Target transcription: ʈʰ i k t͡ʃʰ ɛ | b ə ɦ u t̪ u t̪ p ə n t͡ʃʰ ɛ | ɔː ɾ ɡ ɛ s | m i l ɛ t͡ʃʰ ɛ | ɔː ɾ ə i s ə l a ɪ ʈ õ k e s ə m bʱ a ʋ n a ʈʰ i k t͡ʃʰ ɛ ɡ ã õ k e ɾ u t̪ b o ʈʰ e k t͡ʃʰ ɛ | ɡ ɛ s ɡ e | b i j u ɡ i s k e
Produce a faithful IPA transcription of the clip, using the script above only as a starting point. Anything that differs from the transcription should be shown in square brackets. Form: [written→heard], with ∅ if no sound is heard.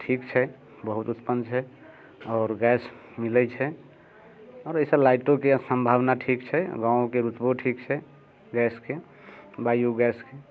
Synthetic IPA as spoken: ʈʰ i k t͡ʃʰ ɛ | b ə ɦ u t̪ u t̪ p ə n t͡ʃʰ ɛ | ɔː ɾ ɡ ɛ s | m i l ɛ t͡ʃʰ ɛ | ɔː ɾ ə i s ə l a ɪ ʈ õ k e s ə m bʱ a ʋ n a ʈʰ i k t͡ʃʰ ɛ ɡ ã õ k e ɾ u t̪ b o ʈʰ [e→i] k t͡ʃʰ ɛ | ɡ ɛ s [ɡ→k] e | b [i→a] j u ɡ [i→ɛ] s k e